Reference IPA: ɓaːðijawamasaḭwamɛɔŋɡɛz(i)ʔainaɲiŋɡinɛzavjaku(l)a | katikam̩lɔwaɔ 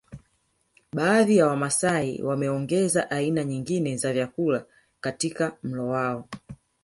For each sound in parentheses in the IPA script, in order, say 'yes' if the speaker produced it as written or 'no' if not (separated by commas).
no, yes